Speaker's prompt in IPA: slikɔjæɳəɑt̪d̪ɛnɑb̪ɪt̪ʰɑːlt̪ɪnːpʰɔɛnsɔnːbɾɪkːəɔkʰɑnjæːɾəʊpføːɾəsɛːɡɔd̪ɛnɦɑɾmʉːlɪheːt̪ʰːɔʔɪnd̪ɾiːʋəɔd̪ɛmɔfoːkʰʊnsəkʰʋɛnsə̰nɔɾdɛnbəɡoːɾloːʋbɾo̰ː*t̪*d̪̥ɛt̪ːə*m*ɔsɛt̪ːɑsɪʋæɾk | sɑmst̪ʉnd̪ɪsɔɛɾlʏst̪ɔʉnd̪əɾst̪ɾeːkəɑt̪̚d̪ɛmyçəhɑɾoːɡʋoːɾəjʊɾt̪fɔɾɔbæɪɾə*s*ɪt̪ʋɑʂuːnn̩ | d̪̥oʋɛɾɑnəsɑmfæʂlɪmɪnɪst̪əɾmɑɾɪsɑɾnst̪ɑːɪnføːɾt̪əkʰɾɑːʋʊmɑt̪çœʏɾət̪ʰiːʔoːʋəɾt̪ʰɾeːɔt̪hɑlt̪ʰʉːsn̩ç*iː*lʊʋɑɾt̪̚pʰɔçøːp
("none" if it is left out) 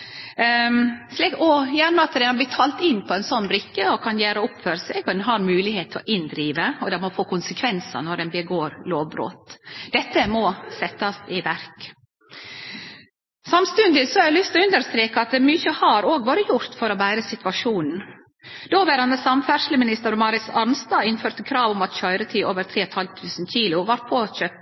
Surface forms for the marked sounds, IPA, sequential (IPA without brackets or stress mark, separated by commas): t̪, m, s, iː